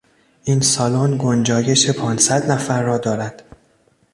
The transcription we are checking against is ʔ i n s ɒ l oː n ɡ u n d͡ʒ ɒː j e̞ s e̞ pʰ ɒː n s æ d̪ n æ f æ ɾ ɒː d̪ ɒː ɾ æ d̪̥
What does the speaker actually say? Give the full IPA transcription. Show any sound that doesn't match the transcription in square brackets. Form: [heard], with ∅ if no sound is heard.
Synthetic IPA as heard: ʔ i n s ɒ l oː n ɡ [o] n d͡ʒ ɒː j e̞ [ʃ] e̞ pʰ ɒː n s æ d̪ n æ f æ [ɾː] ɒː d̪ ɒː ɾ æ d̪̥